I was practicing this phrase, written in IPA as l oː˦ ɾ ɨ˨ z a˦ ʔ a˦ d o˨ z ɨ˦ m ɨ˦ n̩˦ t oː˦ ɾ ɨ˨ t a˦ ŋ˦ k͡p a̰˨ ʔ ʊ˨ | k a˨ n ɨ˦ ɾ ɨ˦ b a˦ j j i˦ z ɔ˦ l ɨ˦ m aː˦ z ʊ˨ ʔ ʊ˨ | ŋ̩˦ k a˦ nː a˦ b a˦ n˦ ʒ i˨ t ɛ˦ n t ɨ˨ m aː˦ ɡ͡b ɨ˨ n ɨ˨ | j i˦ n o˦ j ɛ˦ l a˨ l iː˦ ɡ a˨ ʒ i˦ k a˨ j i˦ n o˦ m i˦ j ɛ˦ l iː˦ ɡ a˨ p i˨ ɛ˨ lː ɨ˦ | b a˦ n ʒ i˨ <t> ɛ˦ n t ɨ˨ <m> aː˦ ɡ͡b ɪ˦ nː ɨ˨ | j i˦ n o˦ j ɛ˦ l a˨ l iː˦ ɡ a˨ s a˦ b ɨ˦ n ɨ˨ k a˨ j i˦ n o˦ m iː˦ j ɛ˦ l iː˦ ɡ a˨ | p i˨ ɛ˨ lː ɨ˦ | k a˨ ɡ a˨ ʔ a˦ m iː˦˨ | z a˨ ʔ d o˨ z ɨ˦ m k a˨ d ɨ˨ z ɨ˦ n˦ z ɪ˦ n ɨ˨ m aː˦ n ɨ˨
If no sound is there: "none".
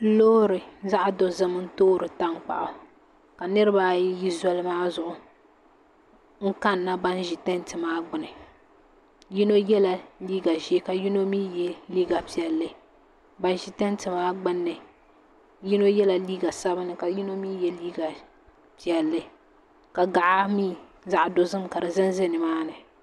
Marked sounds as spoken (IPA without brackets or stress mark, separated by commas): t, m